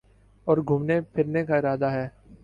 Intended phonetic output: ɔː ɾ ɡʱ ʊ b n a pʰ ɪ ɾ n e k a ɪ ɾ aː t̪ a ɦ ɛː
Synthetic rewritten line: ɔː ɾ ɡʱ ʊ m n e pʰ ɪ ɾ n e k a ɪ ɾ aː d̪ a ɦ ɛː